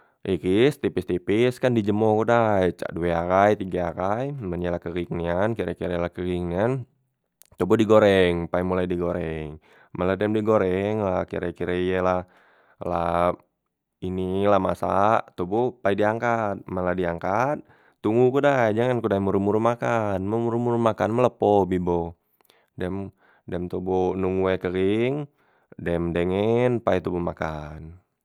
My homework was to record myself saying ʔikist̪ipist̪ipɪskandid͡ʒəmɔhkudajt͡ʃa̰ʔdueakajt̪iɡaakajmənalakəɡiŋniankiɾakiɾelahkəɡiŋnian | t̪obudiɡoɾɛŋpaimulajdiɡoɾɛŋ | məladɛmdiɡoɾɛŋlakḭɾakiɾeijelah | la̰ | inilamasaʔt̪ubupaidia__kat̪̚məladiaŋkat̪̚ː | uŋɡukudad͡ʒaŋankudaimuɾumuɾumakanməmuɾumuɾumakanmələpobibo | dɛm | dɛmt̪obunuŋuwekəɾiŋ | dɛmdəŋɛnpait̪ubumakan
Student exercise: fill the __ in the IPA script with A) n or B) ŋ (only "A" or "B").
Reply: B